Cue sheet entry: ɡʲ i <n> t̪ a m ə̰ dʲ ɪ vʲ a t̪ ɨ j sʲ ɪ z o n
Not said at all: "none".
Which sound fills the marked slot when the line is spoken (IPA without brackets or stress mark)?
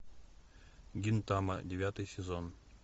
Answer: n